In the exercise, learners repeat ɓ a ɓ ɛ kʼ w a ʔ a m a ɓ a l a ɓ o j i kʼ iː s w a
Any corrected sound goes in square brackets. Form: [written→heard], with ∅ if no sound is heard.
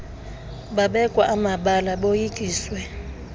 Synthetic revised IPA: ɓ a ɓ ɛ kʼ w a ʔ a m a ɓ a l a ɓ o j i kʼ iː s w [a→ɛ]